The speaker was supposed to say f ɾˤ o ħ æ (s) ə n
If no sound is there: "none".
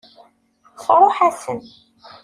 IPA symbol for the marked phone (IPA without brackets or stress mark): s